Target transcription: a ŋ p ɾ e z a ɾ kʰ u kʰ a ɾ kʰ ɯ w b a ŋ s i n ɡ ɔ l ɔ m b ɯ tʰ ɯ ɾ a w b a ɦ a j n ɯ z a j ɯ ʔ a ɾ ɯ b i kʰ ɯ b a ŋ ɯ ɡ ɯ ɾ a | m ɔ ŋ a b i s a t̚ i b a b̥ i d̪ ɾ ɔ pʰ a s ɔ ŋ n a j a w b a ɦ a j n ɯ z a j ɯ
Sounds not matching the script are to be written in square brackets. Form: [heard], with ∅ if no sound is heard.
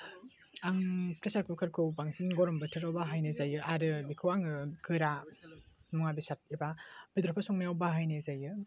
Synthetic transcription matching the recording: a ŋ p ɾ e [s] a ɾ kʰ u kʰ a ɾ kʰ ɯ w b a ŋ s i n ɡ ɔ [ɾ] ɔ m b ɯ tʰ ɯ ɾ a w b a ɦ a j n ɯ z a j ɯ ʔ a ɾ ɯ b i kʰ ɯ [w] a ŋ ɯ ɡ ɯ ɾ a | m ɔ ŋ a b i s a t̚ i b a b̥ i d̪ ɾ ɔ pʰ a s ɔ ŋ n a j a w b a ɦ a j n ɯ z a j ɯ